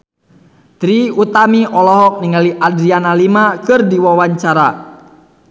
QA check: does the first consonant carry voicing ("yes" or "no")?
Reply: no